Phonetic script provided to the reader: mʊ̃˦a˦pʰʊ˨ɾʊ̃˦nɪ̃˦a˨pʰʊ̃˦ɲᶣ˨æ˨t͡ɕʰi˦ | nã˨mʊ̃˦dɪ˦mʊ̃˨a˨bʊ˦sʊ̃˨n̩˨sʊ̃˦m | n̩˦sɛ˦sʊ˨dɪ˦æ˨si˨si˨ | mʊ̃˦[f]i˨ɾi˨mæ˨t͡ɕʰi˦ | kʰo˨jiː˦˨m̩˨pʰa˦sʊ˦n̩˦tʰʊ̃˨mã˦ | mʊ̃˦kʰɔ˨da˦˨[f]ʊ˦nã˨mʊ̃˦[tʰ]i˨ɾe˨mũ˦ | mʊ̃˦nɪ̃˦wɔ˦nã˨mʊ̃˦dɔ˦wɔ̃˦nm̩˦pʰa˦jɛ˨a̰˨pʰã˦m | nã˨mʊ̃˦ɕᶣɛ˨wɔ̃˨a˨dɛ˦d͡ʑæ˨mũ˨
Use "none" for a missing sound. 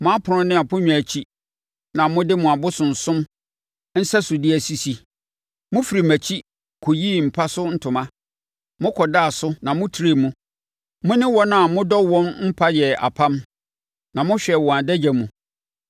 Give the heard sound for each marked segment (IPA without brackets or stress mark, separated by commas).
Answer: f, s, tʰ